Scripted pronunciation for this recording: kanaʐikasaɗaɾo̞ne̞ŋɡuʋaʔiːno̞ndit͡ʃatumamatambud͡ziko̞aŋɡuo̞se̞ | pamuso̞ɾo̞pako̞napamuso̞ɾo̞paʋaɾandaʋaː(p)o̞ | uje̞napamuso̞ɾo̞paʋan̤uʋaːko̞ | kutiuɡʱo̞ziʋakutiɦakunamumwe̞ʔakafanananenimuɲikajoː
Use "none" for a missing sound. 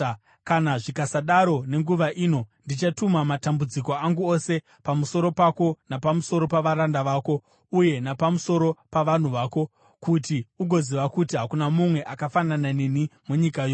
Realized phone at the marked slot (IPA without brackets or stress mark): k